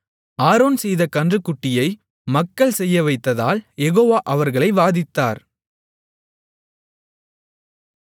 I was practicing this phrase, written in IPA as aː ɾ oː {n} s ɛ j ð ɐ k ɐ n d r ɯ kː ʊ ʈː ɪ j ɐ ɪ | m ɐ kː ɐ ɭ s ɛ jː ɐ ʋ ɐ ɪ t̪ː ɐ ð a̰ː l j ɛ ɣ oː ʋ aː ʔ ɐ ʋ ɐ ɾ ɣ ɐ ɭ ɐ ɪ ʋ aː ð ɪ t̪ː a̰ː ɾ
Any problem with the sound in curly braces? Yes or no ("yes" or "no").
no